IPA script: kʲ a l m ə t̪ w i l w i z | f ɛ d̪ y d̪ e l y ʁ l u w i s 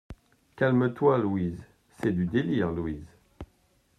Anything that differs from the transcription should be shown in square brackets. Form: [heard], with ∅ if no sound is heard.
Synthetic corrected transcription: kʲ a l m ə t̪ w [a] l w i z | [s] ɛ d̪ y d̪ e l [i] ʁ l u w i [z]